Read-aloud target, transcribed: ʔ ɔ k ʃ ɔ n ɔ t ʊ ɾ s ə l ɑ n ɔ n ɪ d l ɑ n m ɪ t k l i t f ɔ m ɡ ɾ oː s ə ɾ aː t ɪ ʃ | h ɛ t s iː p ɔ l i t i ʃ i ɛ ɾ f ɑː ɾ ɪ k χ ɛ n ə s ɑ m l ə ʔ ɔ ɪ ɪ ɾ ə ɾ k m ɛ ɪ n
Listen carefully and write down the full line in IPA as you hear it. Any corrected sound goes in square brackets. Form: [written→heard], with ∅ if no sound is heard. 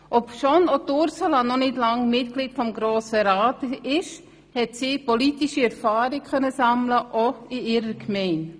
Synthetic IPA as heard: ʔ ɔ [k→p] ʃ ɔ n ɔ t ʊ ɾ s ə l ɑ n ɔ n ɪ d l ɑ [n→ŋ] m ɪ t k l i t f ɔ m ɡ ɾ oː s ə ɾ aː t ɪ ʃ | h ɛ t s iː p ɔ l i t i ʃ i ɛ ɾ f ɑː ɾ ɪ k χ [ɛ→œ] n ə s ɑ m l ə ʔ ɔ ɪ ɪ ɾ ə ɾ k m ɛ ɪ n